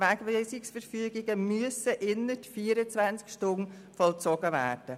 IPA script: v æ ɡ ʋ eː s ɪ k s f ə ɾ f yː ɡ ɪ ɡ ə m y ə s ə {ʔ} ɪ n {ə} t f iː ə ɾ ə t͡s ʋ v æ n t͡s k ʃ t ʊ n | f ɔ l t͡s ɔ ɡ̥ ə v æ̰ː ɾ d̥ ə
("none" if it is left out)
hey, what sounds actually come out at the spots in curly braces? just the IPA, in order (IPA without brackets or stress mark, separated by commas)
ʔ, ə